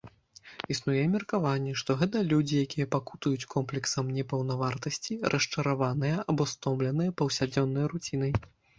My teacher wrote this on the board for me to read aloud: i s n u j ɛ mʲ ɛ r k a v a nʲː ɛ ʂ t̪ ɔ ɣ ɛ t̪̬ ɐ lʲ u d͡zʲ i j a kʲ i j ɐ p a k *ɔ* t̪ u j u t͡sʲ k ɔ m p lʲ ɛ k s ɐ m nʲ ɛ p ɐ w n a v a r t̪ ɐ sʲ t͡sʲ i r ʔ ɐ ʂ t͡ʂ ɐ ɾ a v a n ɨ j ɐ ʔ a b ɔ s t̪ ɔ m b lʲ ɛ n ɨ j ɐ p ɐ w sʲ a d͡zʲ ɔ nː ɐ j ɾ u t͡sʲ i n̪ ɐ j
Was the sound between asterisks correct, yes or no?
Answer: no